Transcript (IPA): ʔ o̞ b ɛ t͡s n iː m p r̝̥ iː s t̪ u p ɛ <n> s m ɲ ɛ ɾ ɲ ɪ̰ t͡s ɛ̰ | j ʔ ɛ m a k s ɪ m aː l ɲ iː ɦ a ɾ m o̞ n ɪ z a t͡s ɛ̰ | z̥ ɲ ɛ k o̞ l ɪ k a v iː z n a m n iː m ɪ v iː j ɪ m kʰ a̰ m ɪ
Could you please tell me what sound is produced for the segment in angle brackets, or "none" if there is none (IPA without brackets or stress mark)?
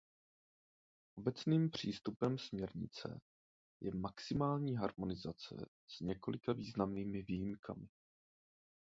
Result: m